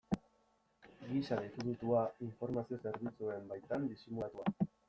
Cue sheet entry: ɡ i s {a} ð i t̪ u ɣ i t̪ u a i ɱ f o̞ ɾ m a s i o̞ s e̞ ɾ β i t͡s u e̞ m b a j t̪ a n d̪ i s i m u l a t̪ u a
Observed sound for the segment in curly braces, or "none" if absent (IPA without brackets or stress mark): a